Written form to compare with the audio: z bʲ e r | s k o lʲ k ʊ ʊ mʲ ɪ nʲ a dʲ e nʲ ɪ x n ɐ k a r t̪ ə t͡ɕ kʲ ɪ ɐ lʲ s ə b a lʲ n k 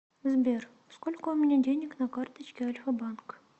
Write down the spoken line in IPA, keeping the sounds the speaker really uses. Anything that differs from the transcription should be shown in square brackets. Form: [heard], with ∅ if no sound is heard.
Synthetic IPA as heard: z bʲ e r | s k o lʲ k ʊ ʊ mʲ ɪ nʲ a dʲ e nʲ ɪ [k] n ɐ k a r t̪ ə t͡ɕ kʲ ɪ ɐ lʲ [f] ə b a [∅] n k